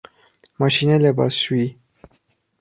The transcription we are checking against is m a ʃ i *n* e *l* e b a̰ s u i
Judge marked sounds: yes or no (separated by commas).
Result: yes, yes